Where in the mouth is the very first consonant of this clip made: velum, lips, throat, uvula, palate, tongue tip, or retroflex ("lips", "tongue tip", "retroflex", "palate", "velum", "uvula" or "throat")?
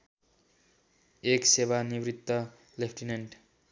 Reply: velum